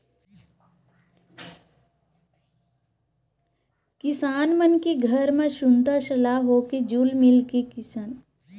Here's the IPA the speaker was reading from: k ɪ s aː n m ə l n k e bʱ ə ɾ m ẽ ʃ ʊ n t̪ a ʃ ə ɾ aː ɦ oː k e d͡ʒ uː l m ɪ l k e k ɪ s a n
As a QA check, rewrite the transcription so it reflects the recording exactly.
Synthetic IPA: k ɪ s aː n m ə n k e ɡʱ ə ɾ m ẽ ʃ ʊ n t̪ a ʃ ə l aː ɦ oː k e d͡ʒ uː l m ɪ l k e k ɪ s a n